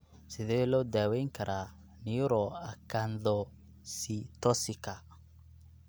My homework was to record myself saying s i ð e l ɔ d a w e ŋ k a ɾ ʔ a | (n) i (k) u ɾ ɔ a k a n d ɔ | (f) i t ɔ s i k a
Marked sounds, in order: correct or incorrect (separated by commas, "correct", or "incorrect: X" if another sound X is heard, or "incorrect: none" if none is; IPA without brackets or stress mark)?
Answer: correct, incorrect: none, incorrect: s